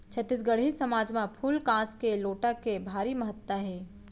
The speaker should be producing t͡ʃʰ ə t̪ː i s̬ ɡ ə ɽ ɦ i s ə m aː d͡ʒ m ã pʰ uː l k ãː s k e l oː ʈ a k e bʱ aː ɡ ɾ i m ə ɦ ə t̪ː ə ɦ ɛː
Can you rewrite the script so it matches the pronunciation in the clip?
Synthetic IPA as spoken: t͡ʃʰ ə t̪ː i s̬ ɡ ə ɽ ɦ i s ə m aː d͡ʒ m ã pʰ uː l k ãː s k e l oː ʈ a k e bʱ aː ɾ i m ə ɦ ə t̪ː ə ɦ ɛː